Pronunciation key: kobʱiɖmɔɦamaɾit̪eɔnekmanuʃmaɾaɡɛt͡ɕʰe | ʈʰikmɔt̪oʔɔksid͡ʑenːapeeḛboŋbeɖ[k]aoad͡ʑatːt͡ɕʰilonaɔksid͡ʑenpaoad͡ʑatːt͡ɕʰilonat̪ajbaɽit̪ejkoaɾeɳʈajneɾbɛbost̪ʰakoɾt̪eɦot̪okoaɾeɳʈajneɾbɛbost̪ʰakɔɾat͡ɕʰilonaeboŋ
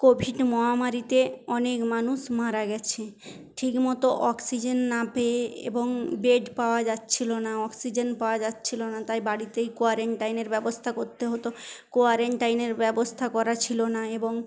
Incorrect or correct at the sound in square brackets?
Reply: incorrect: p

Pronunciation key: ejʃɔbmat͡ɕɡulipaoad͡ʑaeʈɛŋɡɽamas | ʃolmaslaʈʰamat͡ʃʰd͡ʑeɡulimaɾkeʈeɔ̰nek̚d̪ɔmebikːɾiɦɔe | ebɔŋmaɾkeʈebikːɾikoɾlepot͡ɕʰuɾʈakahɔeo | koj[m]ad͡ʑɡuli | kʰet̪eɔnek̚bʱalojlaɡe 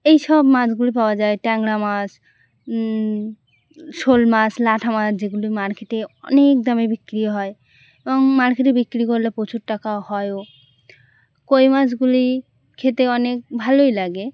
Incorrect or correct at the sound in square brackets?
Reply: correct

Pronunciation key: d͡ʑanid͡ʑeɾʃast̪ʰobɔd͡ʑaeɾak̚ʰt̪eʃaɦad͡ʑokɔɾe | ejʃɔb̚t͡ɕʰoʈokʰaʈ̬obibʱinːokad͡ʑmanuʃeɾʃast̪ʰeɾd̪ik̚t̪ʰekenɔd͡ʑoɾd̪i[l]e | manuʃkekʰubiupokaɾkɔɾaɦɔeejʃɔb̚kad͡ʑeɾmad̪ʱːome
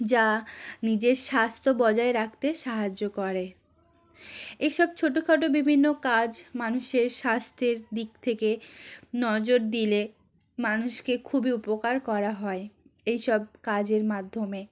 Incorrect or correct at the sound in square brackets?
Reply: correct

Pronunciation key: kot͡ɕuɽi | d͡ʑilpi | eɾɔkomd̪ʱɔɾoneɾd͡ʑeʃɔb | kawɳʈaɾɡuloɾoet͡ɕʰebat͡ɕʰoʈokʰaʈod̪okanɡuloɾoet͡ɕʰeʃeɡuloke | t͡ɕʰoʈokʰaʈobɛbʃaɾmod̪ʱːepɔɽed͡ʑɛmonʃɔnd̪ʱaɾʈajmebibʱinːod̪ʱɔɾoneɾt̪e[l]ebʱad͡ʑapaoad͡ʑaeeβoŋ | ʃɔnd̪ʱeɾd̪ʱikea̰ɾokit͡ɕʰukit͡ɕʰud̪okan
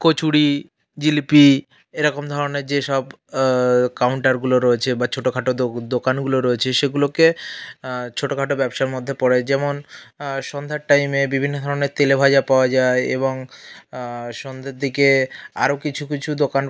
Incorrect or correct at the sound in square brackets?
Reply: correct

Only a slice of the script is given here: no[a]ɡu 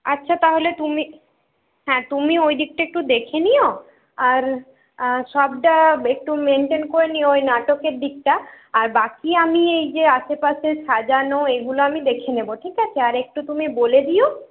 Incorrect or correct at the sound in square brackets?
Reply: incorrect: e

